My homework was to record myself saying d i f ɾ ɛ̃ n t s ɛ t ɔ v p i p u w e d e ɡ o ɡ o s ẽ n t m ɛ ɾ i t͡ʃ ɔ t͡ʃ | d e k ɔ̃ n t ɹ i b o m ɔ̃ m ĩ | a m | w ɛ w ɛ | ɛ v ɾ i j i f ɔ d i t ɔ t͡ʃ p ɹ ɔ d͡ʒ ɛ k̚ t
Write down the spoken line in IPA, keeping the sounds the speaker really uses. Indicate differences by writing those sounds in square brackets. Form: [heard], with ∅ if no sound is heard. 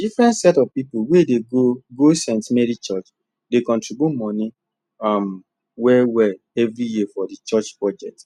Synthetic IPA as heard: d i f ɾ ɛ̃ n t s ɛ t ɔ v p i p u w e d e ɡ o ɡ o s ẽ n t m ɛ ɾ i t͡ʃ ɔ t͡ʃ | d e k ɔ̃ n t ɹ i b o m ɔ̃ [n] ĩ | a m | w ɛ w ɛ | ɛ v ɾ i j i f ɔ d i [t͡ʃ] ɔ t͡ʃ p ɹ ɔ d͡ʒ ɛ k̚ t